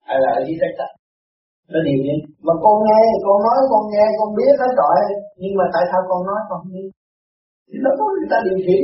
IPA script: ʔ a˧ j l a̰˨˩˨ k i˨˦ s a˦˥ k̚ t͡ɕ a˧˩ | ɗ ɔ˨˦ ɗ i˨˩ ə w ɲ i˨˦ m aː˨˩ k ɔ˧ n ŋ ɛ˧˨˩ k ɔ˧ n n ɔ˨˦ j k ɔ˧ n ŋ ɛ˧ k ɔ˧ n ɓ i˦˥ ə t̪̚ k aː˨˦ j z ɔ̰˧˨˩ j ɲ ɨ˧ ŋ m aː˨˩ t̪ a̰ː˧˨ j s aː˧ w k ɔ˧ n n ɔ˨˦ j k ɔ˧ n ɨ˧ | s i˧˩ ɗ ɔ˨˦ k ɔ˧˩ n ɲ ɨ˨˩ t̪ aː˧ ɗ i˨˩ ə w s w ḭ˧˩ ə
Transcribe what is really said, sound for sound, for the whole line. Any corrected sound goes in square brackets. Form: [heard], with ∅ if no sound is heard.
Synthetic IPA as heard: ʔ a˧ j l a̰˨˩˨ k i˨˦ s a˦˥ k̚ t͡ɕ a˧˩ | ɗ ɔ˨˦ ɗ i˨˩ ə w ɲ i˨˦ m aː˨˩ k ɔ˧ n ŋ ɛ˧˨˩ k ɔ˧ n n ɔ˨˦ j k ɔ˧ n ŋ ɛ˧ k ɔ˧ n ɓ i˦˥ ə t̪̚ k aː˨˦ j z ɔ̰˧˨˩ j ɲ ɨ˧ ŋ m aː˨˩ t̪ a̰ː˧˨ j s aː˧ w k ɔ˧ n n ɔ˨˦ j k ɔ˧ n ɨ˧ | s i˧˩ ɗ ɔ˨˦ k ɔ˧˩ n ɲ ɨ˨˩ t̪ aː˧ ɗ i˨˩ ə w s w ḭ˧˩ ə